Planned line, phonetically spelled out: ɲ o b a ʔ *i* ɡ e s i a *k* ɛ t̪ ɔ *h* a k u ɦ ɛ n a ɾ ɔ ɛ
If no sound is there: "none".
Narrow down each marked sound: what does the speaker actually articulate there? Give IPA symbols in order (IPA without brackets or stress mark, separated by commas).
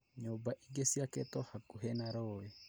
i, k, h